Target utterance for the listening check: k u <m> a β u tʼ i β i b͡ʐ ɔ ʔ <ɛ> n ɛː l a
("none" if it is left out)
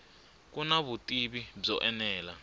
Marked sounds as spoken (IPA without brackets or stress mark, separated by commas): n, ɛ